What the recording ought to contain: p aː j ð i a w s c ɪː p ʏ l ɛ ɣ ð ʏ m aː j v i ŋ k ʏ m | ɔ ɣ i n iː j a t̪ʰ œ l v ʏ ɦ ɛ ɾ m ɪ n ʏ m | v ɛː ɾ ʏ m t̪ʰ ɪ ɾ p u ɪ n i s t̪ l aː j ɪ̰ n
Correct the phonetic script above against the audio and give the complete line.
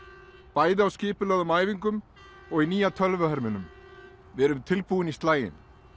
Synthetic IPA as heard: p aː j ð ɪ a w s c ɪː p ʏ l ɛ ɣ ð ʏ m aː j v i ŋ k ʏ m | ɔ ɣ i n iː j a t̪ʰ œ l v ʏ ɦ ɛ ɾ m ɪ n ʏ m | v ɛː ɾ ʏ m t̪ʰ ɪ l p u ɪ n i s t̪ l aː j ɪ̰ n